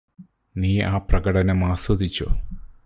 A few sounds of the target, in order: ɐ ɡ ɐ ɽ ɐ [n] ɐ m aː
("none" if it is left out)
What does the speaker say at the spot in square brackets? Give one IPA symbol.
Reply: n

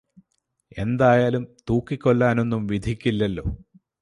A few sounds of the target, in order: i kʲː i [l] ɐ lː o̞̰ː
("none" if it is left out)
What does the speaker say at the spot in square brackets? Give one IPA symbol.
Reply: lː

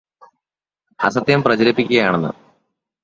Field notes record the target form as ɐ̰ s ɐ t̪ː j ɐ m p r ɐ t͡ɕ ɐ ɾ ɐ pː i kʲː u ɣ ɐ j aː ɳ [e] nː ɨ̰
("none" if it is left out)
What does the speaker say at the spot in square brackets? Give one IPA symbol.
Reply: e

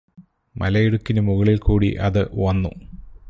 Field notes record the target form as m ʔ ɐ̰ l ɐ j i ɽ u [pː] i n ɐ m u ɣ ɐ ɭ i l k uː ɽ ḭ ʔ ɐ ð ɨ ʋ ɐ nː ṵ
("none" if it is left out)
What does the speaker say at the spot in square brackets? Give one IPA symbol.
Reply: kː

